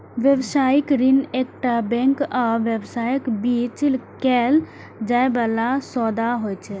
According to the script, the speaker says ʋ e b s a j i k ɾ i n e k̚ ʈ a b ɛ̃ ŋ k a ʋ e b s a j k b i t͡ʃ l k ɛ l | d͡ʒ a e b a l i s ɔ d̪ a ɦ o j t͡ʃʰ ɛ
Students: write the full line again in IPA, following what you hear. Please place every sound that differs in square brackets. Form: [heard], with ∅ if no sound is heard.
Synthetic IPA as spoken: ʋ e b s a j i k ɾ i n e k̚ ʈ a b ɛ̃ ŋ k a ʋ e b s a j k b i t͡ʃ l k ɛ l | d͡ʒ a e b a l [a] s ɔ d̪ a ɦ o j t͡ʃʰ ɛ